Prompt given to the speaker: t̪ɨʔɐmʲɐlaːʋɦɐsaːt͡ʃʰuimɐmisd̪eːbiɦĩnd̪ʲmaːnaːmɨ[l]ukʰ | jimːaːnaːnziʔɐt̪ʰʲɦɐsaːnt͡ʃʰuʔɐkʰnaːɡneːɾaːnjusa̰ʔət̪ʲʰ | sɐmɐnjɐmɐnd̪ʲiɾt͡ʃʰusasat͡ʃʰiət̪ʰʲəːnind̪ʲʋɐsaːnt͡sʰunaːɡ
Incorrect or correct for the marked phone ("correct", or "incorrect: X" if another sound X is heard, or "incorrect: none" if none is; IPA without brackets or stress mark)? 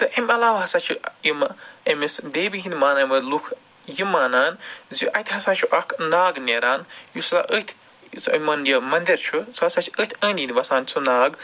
correct